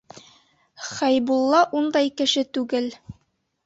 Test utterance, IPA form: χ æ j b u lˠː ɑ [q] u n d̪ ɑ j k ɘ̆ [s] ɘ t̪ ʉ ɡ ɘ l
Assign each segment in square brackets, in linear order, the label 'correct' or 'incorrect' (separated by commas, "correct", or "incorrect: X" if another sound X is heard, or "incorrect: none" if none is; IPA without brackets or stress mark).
incorrect: ʔ, incorrect: ʃ